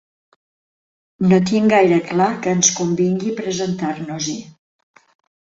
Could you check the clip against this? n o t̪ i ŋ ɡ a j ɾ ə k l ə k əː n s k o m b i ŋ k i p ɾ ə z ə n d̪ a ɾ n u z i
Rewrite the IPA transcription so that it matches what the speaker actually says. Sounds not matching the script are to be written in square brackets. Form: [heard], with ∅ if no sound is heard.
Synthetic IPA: n o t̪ i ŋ ɡ a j ɾ ə k l [a] k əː n s k [u] m b i ŋ [ɡ] i p ɾ ə z ə n [t̪] a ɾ n u z i